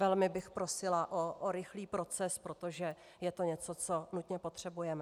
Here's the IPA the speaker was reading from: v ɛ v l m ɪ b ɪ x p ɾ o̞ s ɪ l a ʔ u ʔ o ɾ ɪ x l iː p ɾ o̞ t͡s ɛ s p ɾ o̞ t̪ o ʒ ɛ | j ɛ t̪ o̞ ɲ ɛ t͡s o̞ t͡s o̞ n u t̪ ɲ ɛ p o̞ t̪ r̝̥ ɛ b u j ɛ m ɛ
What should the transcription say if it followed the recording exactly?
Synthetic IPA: v ɛ l m ɪ b ɪ x p ɾ o̞ s ɪ l a ʔ o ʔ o ɾ ɪ x l iː p ɾ o̞ t͡s ɛ s p ɾ o̞ t̪ o ʒ ɛ | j ɛ t̪ o̞ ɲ ɛ t͡s o̞ t͡s o̞ n u t̪ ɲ ɛ p o̞ t̪ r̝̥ ɛ b u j ɛ m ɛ